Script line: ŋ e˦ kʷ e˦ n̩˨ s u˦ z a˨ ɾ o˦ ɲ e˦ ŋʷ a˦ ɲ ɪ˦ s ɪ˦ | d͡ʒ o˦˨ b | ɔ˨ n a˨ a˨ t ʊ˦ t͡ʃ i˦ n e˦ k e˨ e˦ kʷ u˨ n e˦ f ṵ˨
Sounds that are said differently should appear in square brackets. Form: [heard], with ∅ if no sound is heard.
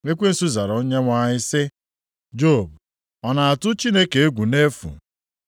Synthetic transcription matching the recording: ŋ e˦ kʷ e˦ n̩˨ s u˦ z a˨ ɾ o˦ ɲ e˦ ŋʷ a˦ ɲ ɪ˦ s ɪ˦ | d͡ʒ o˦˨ b | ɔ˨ n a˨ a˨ t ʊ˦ t͡ʃ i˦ n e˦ k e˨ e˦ [ɡʷ] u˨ n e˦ f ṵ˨